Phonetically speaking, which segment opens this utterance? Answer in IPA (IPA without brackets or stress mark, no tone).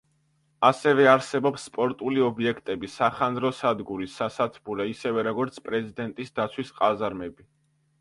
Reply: a